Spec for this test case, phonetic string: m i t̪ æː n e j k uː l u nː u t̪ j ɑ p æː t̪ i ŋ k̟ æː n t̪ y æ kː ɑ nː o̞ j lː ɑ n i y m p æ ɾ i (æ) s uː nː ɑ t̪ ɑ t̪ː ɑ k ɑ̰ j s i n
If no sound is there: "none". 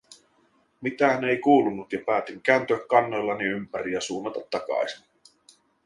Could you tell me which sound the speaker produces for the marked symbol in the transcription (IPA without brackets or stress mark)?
æ